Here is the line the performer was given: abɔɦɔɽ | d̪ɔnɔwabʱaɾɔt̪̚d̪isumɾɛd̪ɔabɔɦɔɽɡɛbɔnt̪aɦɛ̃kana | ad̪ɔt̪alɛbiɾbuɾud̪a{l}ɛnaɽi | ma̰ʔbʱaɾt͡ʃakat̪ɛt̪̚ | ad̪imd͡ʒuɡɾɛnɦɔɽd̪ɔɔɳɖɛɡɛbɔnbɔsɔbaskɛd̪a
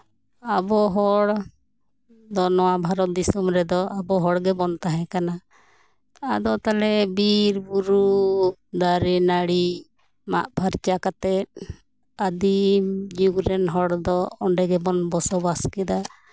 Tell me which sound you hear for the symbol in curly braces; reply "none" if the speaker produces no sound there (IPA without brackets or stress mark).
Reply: ɾ